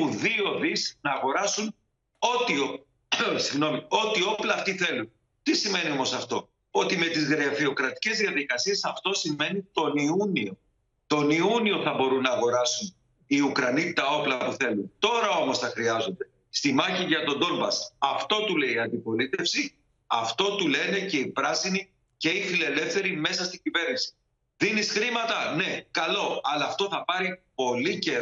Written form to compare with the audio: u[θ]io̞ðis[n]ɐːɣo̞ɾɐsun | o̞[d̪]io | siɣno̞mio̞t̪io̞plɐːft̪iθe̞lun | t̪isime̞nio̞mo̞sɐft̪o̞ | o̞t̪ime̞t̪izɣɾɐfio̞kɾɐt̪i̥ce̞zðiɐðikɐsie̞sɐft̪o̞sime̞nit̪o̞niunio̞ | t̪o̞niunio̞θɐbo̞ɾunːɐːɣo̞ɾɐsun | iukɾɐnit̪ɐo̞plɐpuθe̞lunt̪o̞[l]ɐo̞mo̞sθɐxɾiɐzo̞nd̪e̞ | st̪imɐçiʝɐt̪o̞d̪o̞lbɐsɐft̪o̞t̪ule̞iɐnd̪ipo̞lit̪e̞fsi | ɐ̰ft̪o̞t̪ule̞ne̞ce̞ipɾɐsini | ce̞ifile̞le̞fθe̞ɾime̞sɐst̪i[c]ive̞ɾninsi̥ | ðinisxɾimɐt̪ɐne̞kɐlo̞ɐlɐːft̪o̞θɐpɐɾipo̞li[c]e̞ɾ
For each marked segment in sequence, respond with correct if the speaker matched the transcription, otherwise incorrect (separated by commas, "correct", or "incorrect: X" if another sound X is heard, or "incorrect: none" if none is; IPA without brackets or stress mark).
incorrect: ð, correct, incorrect: t̪, incorrect: ɾ, incorrect: ɟ, correct